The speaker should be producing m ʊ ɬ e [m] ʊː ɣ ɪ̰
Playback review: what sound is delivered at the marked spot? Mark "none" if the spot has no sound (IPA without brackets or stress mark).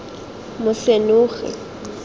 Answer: n